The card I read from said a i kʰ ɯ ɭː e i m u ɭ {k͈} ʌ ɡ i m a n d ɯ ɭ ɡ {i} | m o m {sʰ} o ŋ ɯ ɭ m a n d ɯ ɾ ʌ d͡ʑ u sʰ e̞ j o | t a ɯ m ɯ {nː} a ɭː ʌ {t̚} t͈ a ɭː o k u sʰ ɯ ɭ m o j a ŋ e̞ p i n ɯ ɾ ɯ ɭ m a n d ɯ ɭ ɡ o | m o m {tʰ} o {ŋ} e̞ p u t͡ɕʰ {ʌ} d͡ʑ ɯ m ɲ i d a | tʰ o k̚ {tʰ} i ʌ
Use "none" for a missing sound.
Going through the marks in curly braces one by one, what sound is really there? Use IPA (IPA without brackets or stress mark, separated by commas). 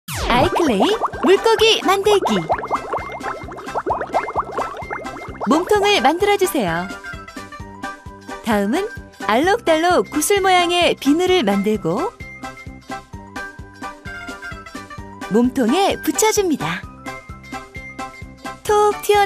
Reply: k͈, i, tʰ, n, k̚, tʰ, ŋ, ʌ, tʰ